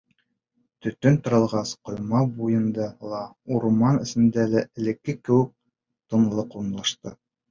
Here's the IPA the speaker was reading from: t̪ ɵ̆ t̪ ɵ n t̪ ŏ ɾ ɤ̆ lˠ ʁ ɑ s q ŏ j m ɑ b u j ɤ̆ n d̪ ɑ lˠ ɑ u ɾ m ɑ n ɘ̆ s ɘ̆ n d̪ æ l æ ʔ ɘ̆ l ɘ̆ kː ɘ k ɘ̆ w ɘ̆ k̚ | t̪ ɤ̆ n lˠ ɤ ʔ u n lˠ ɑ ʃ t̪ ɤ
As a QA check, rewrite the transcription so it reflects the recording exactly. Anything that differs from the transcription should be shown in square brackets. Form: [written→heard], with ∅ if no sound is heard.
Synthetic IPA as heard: t̪ ɵ̆ t̪ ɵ n t̪ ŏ ɾ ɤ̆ lˠ ʁ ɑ s q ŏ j m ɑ b u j ɤ̆ n d̪ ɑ lˠ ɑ u ɾ m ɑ n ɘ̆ s ɘ̆ n d̪ æ l æ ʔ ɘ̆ l ɘ̆ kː ɘ k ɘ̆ w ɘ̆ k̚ | t̪ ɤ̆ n lˠ ɤ [ʔ→q] u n lˠ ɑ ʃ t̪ ɤ

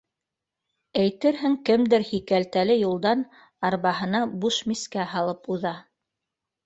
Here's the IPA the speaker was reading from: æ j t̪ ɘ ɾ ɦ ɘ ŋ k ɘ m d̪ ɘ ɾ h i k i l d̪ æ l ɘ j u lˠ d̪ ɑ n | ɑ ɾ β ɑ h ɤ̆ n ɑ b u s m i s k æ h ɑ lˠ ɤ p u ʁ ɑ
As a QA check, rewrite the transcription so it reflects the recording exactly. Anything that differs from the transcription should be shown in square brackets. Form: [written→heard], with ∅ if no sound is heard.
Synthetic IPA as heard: æ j t̪ ɘ ɾ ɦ ɘ ŋ k ɘ m d̪ ɘ ɾ h i k [i→æ] l [d̪→t̪] æ l ɘ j u lˠ d̪ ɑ n | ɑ ɾ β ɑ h ɤ̆ n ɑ b u [s→ʃ] m i s k æ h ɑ lˠ ɤ p u [ʁ→ð] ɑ

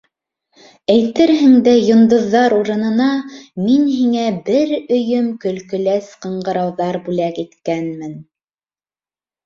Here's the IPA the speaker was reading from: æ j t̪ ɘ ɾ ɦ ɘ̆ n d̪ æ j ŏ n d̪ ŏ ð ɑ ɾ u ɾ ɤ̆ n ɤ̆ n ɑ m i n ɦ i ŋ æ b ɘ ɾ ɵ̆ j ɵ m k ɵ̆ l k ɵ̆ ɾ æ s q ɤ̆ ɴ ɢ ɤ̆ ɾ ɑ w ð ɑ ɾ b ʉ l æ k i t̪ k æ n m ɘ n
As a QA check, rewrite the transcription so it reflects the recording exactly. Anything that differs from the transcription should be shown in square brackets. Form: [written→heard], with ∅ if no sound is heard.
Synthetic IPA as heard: æ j t̪ ɘ ɾ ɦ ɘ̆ [n→ŋ] d̪ æ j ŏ n d̪ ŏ [ð→ðː] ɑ ɾ u ɾ ɤ̆ n ɤ̆ n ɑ m i n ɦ i ŋ æ b ɘ ɾ ɵ̆ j ɵ m k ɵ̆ l k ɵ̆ [ɾ→l] æ s q ɤ̆ ɴ ɢ ɤ̆ ɾ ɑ w ð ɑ ɾ b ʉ l æ k i t̪ k æ n m ɘ n

